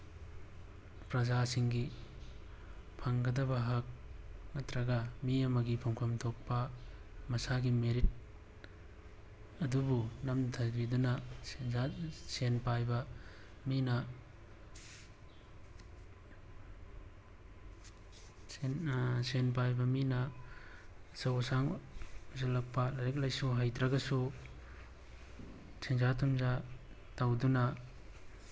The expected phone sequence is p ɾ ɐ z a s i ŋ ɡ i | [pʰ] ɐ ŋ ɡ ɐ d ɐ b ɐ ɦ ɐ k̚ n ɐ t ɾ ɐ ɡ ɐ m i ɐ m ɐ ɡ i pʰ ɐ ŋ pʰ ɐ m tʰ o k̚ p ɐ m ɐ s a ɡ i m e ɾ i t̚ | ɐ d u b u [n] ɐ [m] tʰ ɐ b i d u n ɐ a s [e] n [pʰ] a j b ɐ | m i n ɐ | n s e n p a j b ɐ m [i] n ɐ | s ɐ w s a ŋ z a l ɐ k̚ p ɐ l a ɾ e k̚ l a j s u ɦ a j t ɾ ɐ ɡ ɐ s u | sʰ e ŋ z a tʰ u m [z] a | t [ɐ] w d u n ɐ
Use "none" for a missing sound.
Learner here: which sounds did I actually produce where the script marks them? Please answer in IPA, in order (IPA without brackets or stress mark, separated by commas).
pʰ, n, m, e, p, i, z, a